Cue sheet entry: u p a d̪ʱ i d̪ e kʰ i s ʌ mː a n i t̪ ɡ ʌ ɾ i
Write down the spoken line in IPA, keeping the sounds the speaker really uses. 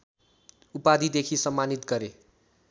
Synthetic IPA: u p a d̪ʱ i d̪ e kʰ i s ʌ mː a n i t̪ ɡ ʌ ɾ e